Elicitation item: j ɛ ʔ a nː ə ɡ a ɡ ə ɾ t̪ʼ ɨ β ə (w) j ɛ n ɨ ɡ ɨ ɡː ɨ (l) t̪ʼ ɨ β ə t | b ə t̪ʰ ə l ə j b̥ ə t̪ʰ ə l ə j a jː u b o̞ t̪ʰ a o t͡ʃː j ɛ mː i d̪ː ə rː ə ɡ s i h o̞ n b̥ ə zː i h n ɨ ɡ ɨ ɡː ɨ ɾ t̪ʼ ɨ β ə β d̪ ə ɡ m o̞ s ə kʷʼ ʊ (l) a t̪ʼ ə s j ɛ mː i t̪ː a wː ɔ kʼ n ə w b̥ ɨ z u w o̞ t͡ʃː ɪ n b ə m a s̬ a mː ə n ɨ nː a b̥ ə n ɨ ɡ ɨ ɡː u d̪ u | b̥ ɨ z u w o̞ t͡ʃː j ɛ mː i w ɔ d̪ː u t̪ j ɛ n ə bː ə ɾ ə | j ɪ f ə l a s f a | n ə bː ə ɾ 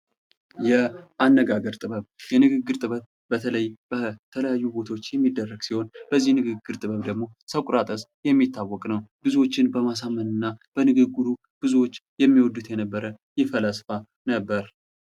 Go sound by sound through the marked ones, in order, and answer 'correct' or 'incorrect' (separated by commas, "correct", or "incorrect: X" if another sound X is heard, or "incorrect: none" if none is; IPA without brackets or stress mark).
incorrect: β, incorrect: ɾ, incorrect: ɾ